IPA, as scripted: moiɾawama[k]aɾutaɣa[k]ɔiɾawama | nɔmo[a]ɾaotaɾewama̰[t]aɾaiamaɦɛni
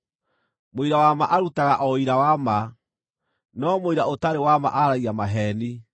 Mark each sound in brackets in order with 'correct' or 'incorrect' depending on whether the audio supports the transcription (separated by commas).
incorrect, incorrect, incorrect, incorrect